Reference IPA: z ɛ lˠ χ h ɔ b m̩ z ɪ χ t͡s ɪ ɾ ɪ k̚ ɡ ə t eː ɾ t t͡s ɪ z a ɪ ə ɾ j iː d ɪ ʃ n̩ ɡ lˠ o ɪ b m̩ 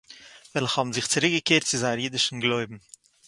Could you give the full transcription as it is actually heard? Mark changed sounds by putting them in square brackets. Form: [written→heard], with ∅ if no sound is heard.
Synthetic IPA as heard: [z→v] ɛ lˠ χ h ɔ b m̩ z ɪ χ t͡s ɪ ɾ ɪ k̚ ɡ ə [t→k] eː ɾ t t͡s ɪ z a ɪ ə ɾ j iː d ɪ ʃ n̩ ɡ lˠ o ɪ b m̩